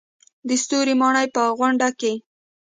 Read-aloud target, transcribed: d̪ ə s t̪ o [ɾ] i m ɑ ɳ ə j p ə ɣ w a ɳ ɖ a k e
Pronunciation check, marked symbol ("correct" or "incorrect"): correct